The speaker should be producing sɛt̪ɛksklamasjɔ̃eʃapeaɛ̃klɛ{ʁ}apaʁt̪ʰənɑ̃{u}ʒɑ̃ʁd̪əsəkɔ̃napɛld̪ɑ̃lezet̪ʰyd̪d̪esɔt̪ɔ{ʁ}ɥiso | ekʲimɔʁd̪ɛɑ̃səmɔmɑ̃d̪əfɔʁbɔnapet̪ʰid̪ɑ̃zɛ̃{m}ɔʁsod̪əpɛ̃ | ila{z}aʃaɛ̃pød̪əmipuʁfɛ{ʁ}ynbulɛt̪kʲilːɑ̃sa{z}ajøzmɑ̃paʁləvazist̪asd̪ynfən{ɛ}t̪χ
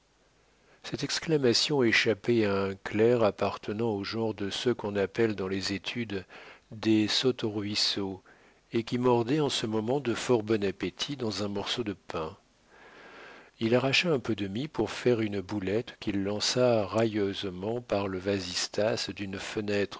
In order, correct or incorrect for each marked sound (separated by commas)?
correct, incorrect, correct, correct, incorrect, correct, incorrect, correct